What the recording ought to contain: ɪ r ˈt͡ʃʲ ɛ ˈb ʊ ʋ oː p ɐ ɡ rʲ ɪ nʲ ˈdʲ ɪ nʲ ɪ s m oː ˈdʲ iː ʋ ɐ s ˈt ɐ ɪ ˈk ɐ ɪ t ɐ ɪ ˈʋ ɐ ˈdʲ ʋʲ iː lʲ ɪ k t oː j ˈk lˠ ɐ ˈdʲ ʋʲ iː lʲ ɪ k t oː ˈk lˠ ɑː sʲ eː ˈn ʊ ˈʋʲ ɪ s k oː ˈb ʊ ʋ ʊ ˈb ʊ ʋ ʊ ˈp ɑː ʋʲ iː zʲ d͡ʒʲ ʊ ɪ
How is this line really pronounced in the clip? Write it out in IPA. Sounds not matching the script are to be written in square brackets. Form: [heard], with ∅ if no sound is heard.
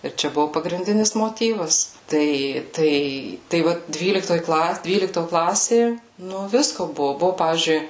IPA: ɪ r ˈt͡ʃʲ ɛ ˈb ʊ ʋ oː p ɐ ɡ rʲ ɪ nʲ ˈdʲ ɪ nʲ ɪ s m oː [ˈtʲ] iː ʋ ɐ s ˈt ɐ ɪ [ˈt] ɐ ɪ t ɐ ɪ ˈʋ ɐ ˈdʲ ʋʲ iː lʲ ɪ k t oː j ˈk lˠ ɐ ˈdʲ ʋʲ iː lʲ ɪ k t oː ˈk lˠ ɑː sʲ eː ˈn ʊ ˈʋʲ ɪ s k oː ˈb ʊ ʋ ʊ ˈb ʊ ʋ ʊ ˈp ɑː ʋʲ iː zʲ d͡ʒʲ ʊ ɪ